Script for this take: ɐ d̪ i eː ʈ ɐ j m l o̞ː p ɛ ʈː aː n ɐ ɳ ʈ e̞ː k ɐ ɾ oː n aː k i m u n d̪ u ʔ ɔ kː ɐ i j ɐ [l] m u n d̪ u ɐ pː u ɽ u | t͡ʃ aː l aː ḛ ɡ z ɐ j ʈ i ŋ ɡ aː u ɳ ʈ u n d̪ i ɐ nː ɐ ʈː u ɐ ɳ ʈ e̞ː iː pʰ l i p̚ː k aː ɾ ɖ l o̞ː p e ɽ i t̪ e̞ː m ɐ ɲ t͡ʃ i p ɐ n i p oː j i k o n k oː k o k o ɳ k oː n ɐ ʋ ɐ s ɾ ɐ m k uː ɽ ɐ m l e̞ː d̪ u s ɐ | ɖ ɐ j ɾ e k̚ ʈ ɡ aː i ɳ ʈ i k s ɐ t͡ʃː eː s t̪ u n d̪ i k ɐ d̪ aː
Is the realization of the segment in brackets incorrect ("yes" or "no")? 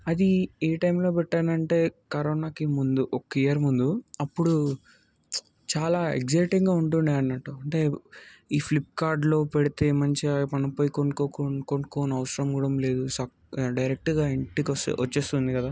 yes